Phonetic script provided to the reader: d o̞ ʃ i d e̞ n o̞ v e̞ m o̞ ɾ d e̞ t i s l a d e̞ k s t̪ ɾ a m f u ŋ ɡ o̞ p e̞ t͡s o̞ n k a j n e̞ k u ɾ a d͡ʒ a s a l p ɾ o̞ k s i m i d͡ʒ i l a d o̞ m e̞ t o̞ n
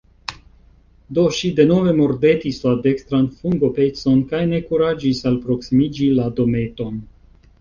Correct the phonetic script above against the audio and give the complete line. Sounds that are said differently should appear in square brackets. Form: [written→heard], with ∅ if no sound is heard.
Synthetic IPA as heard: d o̞ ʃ i d e̞ n o̞ v e̞ m o̞ ɾ d e̞ t i s l a d e̞ k s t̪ ɾ a [m→n] f u ŋ ɡ o̞ p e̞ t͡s o̞ n k a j n e̞ k u ɾ a d͡ʒ [a→i] s a l p ɾ o̞ k s i m i d͡ʒ i l a d o̞ m e̞ t o̞ n